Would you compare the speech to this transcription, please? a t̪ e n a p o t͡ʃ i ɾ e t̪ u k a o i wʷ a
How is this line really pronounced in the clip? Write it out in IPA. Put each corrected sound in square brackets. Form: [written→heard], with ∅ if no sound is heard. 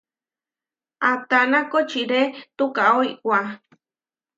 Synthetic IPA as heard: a t̪ [e→a] n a [p→k] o t͡ʃ i ɾ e t̪ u k a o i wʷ a